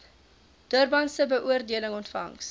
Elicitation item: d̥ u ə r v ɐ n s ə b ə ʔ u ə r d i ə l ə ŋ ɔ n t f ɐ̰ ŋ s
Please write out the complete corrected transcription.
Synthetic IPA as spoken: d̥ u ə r b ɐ n s ə b ə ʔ u ə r d i ə l ə ŋ ɔ n t f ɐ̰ ŋ s